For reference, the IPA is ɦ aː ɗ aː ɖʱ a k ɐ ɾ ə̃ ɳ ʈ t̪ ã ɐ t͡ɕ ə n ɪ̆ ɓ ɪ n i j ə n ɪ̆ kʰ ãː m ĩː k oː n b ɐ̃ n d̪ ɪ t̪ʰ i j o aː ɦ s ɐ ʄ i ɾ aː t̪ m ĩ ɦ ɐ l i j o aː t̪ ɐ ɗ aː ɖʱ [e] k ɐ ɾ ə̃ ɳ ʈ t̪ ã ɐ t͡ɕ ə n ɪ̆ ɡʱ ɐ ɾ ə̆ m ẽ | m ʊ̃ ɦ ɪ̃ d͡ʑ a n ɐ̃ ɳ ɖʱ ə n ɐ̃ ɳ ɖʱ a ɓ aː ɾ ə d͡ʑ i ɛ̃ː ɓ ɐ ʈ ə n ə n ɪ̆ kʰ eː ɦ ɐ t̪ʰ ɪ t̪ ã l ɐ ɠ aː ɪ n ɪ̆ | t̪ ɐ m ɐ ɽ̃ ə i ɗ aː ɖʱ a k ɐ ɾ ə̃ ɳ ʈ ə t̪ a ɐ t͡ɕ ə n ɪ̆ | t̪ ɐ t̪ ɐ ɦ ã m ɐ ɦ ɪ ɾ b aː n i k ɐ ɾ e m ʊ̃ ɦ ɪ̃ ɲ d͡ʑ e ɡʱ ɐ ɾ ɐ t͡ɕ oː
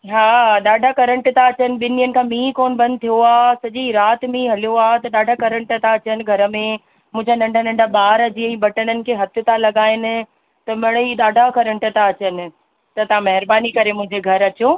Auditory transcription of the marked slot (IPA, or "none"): a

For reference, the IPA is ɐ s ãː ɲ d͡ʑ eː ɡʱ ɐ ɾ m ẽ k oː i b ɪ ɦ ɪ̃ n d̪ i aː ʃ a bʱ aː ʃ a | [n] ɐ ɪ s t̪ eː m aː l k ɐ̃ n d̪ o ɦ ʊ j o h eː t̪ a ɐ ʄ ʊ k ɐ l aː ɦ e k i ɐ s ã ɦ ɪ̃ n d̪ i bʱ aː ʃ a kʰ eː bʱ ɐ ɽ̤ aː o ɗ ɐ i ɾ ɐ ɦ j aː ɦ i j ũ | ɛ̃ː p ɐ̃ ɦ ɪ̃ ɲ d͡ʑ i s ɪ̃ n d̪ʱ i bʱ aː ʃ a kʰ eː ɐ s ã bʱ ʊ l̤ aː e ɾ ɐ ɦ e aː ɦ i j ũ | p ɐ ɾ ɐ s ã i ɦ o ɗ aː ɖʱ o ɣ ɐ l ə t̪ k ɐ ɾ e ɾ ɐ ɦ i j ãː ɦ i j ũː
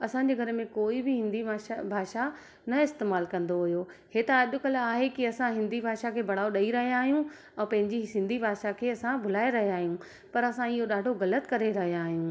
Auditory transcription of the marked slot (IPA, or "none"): n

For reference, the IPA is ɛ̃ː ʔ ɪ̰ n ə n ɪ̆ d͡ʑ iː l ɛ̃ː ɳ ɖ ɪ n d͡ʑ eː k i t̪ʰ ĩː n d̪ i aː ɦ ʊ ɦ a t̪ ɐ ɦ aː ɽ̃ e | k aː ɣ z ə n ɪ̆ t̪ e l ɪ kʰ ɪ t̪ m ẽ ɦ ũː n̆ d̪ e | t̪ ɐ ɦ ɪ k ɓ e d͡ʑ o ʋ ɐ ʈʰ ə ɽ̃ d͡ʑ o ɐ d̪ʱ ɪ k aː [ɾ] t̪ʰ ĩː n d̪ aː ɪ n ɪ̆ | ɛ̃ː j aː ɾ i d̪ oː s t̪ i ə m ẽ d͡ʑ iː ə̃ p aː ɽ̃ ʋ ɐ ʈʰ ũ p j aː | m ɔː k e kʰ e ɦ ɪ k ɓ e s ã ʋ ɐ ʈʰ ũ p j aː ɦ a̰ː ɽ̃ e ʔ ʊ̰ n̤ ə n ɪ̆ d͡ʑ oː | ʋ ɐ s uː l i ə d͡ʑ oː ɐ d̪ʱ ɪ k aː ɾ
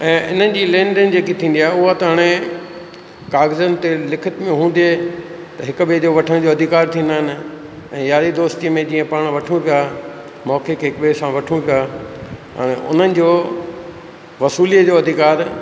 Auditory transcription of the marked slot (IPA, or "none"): ɾ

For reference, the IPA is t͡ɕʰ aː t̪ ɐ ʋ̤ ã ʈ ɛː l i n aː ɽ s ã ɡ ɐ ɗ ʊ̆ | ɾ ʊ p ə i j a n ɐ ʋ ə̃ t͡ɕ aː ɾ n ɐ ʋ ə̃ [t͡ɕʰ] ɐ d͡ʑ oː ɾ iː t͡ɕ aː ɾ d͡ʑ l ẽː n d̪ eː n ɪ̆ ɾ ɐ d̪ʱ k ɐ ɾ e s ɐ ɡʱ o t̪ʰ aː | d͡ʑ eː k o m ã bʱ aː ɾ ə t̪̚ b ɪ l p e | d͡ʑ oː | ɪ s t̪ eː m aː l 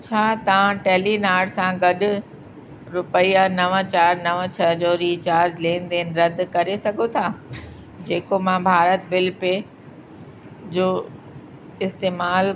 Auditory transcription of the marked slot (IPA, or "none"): t͡ɕʰ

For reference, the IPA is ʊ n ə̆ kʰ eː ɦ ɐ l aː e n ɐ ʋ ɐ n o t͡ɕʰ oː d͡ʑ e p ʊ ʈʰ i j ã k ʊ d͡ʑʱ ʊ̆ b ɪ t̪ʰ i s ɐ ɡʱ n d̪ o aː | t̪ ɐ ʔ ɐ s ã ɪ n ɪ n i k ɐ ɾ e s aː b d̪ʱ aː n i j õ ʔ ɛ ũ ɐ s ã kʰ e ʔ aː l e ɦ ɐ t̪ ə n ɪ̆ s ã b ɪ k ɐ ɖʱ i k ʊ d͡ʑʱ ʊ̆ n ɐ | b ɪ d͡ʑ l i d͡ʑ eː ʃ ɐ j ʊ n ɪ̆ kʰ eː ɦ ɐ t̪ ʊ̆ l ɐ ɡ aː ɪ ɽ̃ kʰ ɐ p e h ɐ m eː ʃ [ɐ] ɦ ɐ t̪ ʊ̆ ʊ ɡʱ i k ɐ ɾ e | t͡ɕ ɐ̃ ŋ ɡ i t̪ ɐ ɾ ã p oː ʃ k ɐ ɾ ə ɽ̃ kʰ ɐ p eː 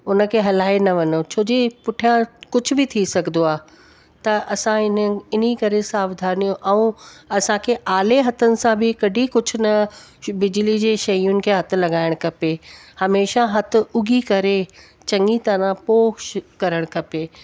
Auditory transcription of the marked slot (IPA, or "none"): a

